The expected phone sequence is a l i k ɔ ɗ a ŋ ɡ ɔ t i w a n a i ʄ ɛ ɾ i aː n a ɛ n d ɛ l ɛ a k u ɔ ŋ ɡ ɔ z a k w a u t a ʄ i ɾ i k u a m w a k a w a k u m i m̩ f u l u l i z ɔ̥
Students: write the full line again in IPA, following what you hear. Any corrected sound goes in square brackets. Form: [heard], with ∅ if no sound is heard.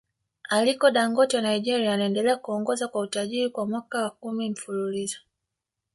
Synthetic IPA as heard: a l i k ɔ ɗ a ŋ ɡ ɔ t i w a n a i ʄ ɛ ɾ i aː n a ɛ n d ɛ l ɛ a k u ɔ ŋ ɡ ɔ z a k w a u t a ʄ i ɾ i k [w] a m w a k a w a k u m i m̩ f u l u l i z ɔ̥